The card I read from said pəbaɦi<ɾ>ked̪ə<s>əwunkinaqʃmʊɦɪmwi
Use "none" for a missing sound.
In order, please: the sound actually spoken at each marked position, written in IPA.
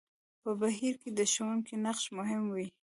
ɾ, ʃ

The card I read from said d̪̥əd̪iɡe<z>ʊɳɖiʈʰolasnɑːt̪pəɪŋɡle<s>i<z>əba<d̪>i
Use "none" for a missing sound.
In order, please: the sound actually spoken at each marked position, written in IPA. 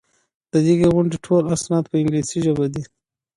ɣ, s, ʒ, d̪

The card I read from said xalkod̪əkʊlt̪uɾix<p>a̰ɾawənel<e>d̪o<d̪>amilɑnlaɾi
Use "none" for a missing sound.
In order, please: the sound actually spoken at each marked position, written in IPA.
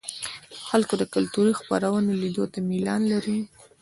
p, i, t̪

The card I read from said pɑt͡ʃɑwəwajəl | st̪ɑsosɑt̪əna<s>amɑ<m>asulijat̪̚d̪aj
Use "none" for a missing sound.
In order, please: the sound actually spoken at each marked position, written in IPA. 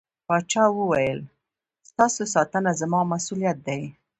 z, m

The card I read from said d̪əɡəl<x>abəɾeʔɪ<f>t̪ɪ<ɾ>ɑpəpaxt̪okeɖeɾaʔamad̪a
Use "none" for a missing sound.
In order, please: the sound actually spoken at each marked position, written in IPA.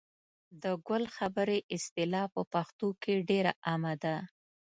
x, s, l

